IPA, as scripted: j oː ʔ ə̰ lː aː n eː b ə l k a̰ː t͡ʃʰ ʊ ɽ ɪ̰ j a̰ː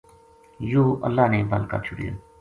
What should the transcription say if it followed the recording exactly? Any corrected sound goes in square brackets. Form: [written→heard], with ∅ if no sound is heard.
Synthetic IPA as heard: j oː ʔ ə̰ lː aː n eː b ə l k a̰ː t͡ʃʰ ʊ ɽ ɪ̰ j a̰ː